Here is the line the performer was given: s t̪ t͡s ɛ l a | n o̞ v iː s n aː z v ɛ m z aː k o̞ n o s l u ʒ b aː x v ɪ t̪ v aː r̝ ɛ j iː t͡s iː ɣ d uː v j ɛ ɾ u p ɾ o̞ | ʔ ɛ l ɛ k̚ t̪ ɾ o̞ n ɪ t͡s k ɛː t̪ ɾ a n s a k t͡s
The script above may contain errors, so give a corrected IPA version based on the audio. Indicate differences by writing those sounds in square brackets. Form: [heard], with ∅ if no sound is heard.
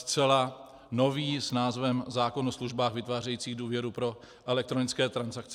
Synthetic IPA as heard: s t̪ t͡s ɛ l a | n o̞ v iː s n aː z v ɛ m z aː k o̞ n o s l u ʒ b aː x v ɪ t̪ v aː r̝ ɛ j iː t͡s iː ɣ d uː v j ɛ ɾ u p ɾ o̞ | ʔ ɛ l ɛ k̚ t̪ ɾ o̞ n ɪ t͡s k ɛː t̪ ɾ a n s a k t͡s